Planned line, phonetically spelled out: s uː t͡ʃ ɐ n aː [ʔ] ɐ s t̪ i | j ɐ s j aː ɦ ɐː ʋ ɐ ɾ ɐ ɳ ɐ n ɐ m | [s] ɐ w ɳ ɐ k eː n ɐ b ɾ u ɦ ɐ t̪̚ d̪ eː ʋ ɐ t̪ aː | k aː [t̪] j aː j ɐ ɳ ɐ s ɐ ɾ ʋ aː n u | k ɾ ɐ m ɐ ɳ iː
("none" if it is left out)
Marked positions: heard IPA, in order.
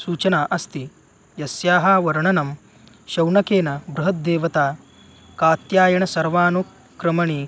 ʔ, ʃ, t̪

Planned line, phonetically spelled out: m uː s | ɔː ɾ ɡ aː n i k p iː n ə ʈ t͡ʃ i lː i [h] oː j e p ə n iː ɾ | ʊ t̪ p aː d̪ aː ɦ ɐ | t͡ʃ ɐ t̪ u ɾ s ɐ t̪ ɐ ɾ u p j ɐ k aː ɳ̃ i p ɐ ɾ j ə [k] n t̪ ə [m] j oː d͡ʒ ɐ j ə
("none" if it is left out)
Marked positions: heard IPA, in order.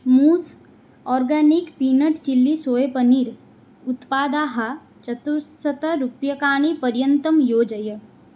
s, none, m

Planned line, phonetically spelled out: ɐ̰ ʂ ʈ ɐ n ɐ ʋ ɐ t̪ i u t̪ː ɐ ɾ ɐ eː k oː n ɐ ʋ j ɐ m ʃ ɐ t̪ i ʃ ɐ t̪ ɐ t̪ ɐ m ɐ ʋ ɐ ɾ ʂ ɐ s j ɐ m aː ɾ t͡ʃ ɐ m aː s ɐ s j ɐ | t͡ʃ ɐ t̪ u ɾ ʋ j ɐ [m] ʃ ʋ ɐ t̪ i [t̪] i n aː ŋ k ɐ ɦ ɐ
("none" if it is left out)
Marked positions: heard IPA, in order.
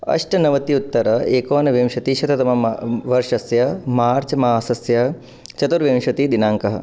m, d̪

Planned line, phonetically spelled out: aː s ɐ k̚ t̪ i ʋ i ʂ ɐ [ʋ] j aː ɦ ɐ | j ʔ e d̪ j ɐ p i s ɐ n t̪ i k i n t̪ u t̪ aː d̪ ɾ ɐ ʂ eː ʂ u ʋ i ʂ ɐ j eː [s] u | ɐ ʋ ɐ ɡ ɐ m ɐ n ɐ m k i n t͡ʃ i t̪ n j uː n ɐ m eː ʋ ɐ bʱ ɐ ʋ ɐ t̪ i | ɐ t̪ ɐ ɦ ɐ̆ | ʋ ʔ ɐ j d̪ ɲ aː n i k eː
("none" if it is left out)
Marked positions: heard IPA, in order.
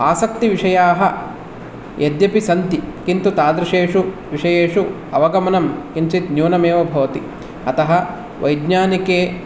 none, ʂ

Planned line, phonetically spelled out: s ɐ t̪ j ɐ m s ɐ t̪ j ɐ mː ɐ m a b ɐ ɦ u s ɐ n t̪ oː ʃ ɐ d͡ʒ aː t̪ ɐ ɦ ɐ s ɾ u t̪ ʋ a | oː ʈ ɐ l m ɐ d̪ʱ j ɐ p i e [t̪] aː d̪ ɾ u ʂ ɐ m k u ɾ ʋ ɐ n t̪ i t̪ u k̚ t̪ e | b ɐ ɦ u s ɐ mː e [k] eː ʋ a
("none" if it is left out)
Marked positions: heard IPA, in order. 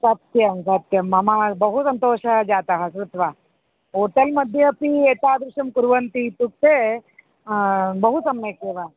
t̪, k

